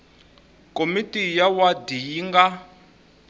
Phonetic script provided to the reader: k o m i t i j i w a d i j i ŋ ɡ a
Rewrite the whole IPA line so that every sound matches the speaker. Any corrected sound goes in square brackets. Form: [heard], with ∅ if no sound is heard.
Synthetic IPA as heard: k o m i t i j [a] w a d i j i ŋ ɡ a